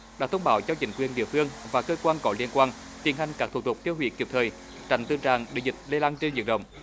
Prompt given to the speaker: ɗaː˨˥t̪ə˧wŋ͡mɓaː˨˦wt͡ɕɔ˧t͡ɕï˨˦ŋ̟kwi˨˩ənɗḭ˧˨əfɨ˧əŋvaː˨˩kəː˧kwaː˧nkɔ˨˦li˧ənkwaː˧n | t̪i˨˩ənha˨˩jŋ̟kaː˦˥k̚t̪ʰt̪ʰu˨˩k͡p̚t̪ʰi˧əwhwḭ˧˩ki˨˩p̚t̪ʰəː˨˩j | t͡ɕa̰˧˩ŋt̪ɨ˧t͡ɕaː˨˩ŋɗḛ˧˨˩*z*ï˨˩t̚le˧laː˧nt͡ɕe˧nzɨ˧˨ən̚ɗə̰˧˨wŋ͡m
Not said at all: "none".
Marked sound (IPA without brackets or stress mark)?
z